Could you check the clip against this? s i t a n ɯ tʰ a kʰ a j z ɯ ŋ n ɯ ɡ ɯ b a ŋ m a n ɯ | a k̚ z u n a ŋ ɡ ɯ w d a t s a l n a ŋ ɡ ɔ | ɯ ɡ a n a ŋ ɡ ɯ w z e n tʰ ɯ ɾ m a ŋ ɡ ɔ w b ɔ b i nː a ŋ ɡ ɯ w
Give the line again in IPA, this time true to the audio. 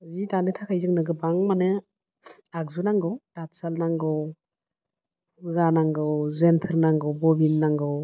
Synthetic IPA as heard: z i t a n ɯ tʰ a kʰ a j z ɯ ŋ n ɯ ɡ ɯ b a ŋ m a n ɯ | a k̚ z u n a ŋ ɡ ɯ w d a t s a l n a ŋ ɡ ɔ | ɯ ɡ a n a ŋ ɡ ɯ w z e n tʰ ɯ ɾ n a ŋ ɡ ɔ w b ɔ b i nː a ŋ ɡ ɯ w

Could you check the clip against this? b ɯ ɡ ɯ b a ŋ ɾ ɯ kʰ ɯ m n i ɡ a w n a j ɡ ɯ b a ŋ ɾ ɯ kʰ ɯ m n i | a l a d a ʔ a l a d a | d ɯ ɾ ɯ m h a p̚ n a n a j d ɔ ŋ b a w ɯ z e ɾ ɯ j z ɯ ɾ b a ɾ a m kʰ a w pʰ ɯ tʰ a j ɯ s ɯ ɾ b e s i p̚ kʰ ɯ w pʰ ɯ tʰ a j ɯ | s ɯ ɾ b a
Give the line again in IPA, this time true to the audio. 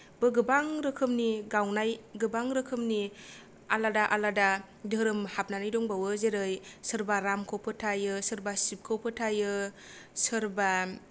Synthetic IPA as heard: b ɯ ɡ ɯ b a ŋ ɾ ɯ kʰ ɯ m n i ɡ a w n a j ɡ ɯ b a ŋ ɾ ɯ kʰ ɯ m n i | a l a d a ʔ a l a d a | d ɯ ɾ ɯ m h a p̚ n a n a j d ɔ ŋ b a w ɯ z e ɾ ɯ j s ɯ ɾ b a ɾ a m kʰ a w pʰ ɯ tʰ a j ɯ s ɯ ɾ b a s i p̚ kʰ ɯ w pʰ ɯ tʰ a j ɯ | s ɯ ɾ b a

